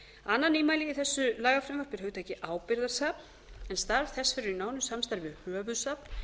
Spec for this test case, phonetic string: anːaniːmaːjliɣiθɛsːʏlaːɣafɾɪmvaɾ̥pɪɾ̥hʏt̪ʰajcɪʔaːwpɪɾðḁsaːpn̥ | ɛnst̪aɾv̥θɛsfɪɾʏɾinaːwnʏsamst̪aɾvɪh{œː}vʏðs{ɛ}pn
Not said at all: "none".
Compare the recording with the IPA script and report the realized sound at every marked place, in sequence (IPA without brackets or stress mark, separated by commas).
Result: œː, a